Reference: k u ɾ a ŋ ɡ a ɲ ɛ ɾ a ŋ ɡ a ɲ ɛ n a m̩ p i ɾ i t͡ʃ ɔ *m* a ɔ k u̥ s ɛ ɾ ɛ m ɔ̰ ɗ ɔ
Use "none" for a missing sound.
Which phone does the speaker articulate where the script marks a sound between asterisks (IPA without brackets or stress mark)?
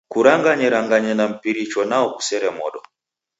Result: n